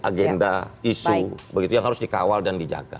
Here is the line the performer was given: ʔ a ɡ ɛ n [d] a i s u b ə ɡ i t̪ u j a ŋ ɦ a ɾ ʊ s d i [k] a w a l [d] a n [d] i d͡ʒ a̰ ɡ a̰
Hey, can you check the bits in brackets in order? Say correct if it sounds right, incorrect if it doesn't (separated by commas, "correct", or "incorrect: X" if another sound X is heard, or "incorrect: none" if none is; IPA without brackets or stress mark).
correct, correct, correct, correct